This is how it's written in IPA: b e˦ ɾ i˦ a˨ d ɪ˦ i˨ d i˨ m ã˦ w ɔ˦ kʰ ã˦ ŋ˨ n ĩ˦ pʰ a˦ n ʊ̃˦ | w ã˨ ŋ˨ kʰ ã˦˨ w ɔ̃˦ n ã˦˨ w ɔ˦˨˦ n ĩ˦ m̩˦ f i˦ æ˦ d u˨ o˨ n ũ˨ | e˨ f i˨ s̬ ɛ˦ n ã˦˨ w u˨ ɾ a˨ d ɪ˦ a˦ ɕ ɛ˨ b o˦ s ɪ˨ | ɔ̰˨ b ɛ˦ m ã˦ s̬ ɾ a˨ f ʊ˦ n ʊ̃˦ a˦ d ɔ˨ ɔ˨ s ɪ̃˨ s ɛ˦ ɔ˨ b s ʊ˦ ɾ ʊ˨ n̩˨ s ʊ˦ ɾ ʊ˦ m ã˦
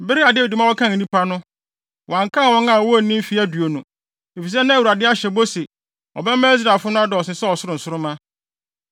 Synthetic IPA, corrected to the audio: b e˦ ɾ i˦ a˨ d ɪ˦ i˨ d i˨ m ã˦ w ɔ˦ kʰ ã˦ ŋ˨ n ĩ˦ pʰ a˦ n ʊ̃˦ | w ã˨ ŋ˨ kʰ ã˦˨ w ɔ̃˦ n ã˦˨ w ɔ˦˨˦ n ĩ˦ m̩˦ f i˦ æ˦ d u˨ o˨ n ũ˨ | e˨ f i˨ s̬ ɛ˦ n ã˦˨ w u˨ ɾ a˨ d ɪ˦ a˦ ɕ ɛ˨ b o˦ s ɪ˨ | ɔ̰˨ b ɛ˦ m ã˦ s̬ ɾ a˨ f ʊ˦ n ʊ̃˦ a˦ d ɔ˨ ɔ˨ s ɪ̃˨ s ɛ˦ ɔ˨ s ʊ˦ ɾ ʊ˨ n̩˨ s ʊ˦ ɾ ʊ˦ m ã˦